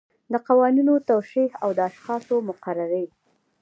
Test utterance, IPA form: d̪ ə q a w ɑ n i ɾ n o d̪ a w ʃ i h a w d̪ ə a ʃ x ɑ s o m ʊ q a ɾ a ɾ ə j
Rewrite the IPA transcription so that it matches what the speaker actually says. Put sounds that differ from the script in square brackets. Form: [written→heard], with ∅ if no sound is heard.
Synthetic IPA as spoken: d̪ ə q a w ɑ n i [ɾ→∅] n o [d̪→t̪] a w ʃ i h a w d̪ ə a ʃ x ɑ s o m ʊ q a ɾ a ɾ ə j